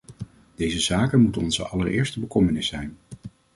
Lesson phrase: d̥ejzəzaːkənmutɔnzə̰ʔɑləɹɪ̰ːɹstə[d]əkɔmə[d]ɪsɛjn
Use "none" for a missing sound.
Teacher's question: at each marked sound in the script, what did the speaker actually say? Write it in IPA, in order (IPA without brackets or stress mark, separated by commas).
b, n